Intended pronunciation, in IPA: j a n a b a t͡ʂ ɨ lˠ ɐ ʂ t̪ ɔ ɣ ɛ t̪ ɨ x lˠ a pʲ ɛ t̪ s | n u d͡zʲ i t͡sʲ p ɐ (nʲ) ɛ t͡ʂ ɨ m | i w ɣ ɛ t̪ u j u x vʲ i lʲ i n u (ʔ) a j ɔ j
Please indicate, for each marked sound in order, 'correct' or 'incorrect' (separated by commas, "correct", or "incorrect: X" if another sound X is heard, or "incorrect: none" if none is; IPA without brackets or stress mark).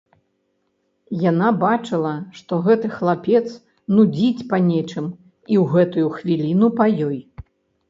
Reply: correct, incorrect: p